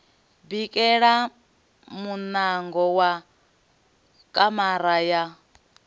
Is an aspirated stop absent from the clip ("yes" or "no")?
yes